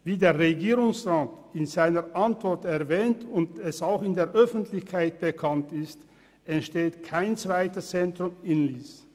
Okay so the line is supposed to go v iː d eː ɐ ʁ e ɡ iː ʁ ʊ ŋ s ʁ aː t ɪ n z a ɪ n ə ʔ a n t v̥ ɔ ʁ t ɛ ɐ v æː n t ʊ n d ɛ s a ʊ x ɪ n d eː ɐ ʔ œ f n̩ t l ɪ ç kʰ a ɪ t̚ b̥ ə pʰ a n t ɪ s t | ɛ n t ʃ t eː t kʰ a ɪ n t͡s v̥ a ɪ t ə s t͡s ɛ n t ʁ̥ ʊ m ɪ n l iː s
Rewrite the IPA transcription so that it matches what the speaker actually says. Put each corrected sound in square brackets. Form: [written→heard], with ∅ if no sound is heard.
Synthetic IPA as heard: v iː d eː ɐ ʁ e ɡ iː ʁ ʊ ŋ s ʁ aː t ɪ n z a ɪ n ə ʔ a n t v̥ ɔ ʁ t ɛ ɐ v [æː→ɛː] n t ʊ n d ɛ s a ʊ x ɪ n d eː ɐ ʔ œ f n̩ t l ɪ ç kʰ a ɪ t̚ b̥ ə [pʰ→kʰ] a n t ɪ s t | ɛ n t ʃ t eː t kʰ a ɪ n t͡s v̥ a ɪ t ə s t͡s ɛ n t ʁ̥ ʊ m ɪ n l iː s